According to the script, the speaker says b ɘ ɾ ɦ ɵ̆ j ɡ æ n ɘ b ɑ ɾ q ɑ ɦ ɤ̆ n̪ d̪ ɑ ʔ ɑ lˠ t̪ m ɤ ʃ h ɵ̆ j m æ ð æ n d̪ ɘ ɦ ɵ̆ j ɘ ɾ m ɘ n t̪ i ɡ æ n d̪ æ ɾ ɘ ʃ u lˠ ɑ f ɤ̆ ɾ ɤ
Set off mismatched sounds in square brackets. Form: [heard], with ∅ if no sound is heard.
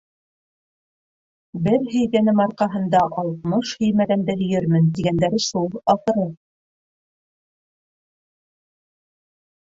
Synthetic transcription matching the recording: b ɘ ɾ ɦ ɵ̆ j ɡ æ n ɘ [m] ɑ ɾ q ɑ ɦ ɤ̆ n̪ d̪ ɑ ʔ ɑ lˠ t̪ m ɤ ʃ h ɵ̆ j m æ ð æ n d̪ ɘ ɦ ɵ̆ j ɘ ɾ m ɘ n t̪ i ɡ æ n d̪ æ ɾ ɘ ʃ u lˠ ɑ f ɤ̆ ɾ ɤ